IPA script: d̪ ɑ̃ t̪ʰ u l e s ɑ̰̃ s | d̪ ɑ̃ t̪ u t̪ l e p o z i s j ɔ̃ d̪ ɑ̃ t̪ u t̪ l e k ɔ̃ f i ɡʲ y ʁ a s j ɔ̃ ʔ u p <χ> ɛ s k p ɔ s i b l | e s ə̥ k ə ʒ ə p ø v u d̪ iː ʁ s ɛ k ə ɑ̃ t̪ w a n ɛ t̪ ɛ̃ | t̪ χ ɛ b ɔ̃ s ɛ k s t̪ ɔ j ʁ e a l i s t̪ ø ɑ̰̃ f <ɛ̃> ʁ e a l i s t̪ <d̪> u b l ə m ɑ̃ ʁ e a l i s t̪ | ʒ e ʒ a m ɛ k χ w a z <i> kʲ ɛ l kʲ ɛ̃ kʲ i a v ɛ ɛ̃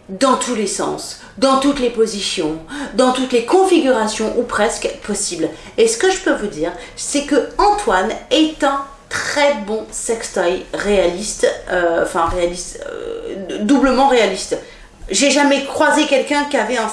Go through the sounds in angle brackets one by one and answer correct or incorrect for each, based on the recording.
correct, correct, correct, incorrect: e

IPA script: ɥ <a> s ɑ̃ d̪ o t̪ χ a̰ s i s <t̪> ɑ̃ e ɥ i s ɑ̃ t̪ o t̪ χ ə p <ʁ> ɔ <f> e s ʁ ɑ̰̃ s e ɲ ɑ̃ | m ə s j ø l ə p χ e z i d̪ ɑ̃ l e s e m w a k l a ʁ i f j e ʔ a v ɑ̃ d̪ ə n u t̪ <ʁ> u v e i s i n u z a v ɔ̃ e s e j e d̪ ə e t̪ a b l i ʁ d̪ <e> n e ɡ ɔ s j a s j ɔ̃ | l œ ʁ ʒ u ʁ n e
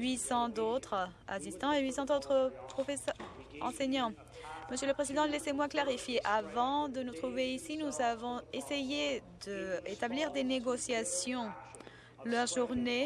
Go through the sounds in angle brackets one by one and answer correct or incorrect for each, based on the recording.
incorrect: i, correct, incorrect: χ, correct, incorrect: χ, correct

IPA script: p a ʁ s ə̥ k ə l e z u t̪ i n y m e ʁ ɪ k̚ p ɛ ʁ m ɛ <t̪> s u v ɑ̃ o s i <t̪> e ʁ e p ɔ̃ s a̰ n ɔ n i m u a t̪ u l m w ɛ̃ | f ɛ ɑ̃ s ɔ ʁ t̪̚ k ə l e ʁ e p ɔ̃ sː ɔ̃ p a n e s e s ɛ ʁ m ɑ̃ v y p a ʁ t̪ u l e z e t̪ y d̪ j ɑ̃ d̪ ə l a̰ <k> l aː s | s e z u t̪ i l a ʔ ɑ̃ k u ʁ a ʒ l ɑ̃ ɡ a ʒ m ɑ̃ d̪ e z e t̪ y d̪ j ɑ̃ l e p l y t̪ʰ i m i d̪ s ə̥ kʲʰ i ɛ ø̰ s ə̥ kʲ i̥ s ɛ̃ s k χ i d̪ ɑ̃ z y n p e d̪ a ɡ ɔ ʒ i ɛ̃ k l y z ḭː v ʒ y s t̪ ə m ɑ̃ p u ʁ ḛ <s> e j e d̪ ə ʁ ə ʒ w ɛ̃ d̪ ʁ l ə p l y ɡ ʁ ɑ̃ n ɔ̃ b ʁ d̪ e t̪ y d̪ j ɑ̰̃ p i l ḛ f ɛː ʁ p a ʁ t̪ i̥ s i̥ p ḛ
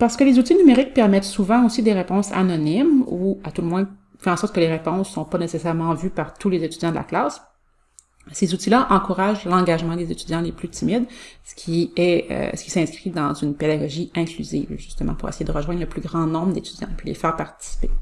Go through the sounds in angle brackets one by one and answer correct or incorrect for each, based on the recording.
correct, incorrect: d̪, correct, correct

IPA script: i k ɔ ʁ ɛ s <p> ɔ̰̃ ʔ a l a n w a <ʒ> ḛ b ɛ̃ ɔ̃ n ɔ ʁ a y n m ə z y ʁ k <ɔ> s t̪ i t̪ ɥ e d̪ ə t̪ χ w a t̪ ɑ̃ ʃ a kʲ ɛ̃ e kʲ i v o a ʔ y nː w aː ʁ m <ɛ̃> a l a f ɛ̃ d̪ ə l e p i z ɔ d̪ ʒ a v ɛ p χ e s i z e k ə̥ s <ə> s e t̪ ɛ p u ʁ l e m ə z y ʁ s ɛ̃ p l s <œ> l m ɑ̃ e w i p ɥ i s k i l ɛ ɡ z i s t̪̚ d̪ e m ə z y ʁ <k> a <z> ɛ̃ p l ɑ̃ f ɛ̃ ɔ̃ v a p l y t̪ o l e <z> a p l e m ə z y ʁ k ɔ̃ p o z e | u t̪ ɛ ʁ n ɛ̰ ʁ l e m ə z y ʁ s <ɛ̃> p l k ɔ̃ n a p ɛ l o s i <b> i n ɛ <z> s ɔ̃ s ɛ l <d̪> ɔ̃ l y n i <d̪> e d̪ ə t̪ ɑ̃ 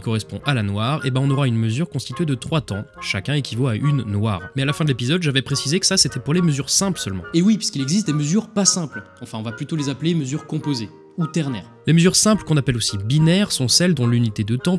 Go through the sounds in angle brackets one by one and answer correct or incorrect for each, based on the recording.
correct, incorrect: ʁ, incorrect: ɔ̃, incorrect: ɛ, incorrect: a, correct, incorrect: p, incorrect: s, correct, correct, correct, incorrect: ʁ, correct, incorrect: t̪

